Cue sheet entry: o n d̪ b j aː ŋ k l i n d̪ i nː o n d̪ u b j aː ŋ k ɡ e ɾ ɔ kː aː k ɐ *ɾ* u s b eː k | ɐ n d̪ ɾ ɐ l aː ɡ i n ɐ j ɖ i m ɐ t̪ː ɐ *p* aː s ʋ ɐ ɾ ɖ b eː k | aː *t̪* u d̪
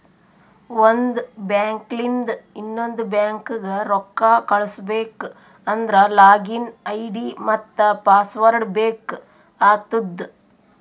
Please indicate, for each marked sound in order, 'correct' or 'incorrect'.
incorrect: ɭ, correct, correct

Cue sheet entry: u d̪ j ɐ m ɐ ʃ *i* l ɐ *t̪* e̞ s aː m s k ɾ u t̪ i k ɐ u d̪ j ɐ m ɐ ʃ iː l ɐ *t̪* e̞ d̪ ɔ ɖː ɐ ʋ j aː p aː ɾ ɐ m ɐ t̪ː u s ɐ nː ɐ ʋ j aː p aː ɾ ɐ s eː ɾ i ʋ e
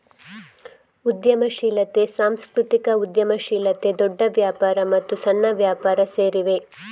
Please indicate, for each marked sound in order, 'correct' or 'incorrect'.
incorrect: iː, correct, correct

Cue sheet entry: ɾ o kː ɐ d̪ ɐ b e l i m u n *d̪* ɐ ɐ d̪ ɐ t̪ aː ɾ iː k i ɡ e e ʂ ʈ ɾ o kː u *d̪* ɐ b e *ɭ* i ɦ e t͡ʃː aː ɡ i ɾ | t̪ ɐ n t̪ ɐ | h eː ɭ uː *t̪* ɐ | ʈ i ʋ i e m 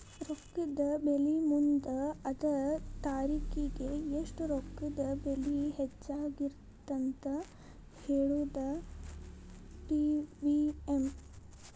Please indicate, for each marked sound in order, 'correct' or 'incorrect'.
correct, correct, incorrect: l, incorrect: d̪

